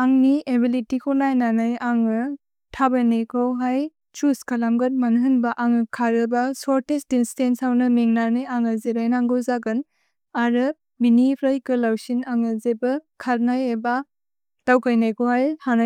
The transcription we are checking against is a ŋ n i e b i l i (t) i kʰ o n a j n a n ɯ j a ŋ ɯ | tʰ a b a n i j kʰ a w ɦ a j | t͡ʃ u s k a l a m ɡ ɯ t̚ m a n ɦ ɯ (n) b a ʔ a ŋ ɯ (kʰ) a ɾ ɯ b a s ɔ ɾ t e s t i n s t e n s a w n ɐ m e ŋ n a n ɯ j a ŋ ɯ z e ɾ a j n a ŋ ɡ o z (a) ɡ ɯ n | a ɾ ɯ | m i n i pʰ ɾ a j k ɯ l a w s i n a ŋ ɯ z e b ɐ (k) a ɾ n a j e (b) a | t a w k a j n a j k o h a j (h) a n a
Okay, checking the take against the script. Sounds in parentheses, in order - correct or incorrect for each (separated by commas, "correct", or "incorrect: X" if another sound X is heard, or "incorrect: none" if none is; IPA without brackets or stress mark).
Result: correct, correct, correct, correct, incorrect: kʰ, correct, correct